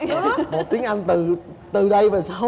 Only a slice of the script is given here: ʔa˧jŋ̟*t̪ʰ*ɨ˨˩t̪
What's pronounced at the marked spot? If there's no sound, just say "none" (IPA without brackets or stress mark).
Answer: t̪